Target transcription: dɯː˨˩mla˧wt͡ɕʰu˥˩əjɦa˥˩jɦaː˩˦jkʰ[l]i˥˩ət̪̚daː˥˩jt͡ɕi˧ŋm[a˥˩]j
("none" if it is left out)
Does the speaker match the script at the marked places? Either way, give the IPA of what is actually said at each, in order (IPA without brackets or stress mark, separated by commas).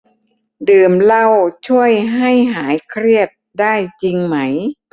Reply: ɾ, a˦˥